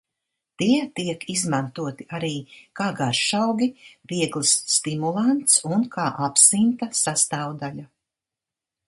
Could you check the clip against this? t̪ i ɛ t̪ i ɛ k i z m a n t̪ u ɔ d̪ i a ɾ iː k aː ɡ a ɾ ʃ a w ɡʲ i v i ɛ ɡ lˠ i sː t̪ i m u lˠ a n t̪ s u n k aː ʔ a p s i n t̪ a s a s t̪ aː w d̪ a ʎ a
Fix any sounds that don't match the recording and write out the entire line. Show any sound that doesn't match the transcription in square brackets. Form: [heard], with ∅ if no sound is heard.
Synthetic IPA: t̪ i ɛ t̪ i ɛ k i z m a n t̪ u ɔ [t̪] i a ɾ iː k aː ɡ a ɾ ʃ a w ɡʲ i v i ɛ ɡ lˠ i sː t̪ i m u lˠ a n t̪ s u n k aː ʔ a p s i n t̪ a s a s t̪ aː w d̪ a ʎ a